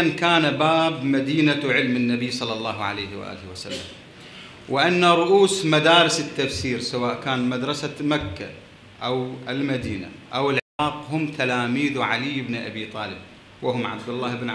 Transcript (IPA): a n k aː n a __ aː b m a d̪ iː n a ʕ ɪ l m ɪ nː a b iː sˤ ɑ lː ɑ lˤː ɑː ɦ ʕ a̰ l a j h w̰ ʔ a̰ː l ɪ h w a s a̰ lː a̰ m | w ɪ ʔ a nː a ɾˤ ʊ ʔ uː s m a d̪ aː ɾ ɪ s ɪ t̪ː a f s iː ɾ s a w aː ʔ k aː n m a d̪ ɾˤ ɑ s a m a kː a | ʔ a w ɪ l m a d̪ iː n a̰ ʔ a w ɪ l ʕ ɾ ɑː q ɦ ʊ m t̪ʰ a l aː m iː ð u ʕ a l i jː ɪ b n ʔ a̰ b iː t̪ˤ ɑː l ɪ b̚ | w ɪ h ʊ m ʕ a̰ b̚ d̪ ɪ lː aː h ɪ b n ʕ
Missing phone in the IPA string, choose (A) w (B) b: B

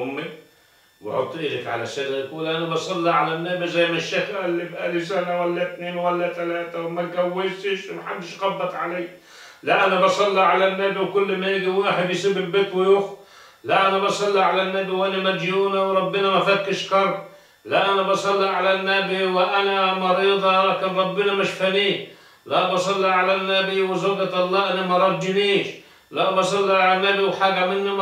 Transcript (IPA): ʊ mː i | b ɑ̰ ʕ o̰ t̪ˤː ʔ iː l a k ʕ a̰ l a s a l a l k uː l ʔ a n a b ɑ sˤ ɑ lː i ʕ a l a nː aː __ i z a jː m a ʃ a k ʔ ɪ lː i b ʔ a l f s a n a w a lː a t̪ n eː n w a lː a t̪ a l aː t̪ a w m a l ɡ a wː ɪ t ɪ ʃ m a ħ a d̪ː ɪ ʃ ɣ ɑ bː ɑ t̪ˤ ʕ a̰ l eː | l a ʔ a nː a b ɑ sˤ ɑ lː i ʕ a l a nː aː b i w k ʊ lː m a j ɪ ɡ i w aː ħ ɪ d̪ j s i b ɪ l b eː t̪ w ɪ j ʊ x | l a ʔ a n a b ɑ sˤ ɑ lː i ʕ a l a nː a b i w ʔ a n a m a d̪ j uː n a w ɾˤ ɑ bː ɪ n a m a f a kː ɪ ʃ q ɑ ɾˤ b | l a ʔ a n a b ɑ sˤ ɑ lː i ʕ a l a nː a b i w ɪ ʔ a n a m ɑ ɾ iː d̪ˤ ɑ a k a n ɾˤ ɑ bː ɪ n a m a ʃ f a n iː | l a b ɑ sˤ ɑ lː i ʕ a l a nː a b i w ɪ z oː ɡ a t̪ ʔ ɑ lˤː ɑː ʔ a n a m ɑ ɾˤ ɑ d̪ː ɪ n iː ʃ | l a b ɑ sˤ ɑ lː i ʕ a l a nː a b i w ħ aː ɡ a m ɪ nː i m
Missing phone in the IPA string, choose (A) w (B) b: B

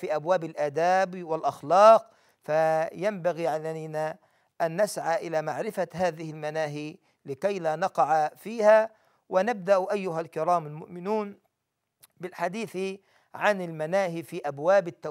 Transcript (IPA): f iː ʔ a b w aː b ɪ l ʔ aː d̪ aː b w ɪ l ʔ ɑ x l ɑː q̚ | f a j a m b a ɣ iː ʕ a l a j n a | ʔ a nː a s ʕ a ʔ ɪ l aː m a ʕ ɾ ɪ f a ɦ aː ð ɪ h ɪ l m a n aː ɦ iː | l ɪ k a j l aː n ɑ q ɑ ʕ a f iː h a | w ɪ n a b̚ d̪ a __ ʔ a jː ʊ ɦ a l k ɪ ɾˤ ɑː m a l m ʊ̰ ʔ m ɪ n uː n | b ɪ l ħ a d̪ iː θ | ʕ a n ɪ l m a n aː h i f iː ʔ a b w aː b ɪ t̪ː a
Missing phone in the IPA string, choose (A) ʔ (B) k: A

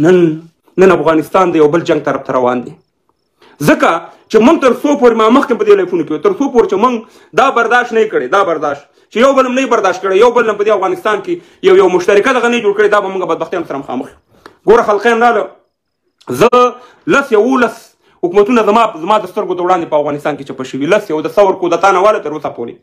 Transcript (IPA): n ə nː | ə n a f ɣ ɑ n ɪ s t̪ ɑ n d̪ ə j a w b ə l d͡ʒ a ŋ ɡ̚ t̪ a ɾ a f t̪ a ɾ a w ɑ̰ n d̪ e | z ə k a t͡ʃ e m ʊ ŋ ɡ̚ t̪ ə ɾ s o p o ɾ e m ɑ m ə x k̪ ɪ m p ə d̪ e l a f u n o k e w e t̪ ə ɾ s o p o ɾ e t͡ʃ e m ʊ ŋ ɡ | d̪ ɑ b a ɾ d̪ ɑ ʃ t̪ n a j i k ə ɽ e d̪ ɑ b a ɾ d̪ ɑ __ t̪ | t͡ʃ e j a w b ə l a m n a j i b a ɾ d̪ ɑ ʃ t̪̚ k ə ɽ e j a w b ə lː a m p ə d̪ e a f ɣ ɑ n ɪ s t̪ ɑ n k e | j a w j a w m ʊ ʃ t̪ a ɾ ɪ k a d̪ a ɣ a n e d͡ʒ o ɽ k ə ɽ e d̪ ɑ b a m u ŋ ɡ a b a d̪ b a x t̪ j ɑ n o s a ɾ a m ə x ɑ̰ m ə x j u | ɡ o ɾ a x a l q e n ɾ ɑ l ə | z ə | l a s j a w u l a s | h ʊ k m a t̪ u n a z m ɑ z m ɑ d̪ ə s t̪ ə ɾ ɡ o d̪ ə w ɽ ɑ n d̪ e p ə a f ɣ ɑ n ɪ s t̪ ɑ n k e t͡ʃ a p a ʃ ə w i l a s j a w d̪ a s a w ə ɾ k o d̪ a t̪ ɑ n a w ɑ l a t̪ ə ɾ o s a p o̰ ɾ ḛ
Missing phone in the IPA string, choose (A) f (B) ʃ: B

